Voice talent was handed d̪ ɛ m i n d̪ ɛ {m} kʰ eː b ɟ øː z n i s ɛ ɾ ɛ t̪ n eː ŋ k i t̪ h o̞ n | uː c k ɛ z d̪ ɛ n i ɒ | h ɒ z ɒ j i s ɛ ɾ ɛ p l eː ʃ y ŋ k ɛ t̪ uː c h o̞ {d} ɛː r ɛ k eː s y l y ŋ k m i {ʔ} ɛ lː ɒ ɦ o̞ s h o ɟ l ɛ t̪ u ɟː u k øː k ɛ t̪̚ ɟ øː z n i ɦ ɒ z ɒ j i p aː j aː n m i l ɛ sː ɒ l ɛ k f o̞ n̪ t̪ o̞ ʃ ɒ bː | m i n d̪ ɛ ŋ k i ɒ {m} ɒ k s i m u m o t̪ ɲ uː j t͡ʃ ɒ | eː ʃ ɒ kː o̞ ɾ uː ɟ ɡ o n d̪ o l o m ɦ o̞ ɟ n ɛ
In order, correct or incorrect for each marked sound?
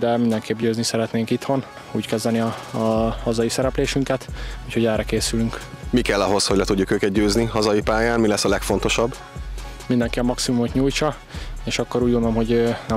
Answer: incorrect, incorrect, incorrect, correct

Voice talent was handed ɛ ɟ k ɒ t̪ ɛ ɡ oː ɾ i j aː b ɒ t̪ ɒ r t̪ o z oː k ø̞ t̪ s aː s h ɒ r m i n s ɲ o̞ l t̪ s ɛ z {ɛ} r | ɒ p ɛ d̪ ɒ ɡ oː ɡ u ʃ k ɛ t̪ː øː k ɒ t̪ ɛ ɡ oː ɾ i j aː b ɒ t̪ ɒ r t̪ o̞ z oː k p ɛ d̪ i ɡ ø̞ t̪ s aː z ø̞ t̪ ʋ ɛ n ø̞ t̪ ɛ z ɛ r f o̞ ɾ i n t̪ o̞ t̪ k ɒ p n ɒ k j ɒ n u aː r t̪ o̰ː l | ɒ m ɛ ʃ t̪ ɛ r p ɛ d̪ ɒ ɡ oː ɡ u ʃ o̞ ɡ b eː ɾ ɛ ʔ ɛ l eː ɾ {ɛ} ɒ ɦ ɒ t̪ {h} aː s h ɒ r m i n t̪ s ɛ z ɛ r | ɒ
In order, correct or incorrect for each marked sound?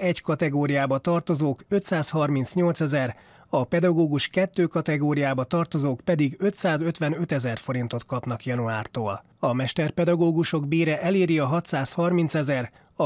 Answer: correct, incorrect, incorrect

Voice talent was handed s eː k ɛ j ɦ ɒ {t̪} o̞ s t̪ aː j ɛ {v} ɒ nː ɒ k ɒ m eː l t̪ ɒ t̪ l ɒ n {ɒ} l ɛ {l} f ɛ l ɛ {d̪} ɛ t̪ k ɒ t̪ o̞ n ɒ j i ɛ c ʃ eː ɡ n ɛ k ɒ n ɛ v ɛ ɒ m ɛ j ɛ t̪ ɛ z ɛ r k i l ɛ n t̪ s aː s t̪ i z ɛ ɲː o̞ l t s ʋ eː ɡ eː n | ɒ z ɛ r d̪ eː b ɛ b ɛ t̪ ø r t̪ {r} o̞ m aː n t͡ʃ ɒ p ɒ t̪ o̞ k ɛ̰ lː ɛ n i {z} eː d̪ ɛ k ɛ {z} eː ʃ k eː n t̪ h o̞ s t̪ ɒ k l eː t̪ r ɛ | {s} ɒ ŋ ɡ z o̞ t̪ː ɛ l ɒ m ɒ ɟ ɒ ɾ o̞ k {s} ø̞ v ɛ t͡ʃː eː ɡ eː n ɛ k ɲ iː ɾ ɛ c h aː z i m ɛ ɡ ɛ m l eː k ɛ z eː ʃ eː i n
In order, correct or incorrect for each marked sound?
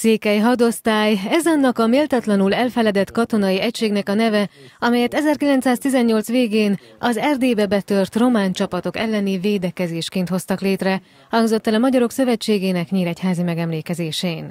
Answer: incorrect, incorrect, incorrect, correct, correct, correct, incorrect, correct, incorrect, correct

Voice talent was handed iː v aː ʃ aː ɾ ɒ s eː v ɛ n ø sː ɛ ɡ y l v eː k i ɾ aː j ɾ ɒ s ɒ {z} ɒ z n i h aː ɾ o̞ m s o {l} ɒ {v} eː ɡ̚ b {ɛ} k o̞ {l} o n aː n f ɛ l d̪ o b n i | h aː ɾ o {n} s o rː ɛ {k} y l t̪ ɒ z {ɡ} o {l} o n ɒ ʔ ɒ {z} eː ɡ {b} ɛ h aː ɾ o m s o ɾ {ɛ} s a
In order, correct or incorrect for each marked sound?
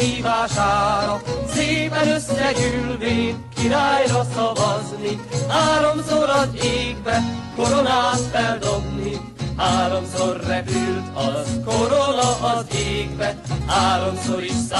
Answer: incorrect, incorrect, incorrect, correct, incorrect, incorrect, incorrect, incorrect, incorrect, correct, correct, incorrect

